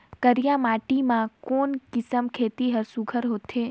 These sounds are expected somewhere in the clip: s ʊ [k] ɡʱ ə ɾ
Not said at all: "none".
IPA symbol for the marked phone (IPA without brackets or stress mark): none